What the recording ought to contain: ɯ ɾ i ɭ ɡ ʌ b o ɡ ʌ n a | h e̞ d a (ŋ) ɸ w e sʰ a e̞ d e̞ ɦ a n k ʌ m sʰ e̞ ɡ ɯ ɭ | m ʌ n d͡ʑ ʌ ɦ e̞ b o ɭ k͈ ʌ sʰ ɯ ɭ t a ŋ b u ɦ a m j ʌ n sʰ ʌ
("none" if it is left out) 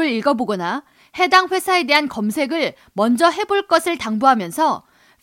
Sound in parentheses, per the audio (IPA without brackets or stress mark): ŋ